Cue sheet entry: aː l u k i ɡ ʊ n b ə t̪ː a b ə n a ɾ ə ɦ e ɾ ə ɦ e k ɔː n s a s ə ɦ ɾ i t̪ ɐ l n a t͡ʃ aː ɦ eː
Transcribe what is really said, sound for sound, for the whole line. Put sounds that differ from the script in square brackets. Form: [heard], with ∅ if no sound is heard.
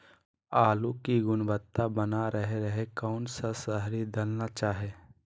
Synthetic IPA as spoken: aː l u k i ɡ ʊ n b ə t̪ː a b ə n a ɾ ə ɦ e ɾ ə ɦ e k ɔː n s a s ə ɦ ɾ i [d̪] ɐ l n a t͡ʃ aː ɦ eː